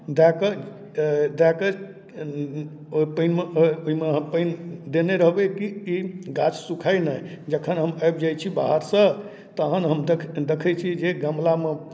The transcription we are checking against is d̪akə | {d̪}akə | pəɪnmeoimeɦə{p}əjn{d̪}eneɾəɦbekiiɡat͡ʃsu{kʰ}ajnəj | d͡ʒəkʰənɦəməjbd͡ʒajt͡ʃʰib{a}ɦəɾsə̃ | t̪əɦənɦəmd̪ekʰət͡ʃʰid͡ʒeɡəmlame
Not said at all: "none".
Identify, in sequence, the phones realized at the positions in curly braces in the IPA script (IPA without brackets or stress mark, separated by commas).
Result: d̪, p, d̪, kʰ, a